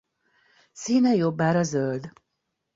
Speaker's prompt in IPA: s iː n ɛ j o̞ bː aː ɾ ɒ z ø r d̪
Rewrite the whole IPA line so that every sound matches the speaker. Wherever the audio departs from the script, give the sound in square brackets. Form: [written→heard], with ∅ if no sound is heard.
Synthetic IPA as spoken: s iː n ɛ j o̞ bː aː ɾ ɒ z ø [r→l] d̪